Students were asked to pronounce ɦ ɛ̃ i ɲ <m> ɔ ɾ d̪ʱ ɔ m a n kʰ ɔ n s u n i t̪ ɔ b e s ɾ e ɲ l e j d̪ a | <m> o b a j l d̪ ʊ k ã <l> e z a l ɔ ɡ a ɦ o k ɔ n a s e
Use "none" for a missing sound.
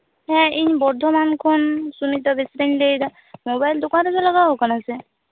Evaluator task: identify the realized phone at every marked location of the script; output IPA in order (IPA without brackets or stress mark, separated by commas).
b, m, ɾ